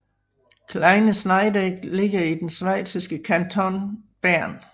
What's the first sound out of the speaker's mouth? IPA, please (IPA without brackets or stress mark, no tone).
kʰ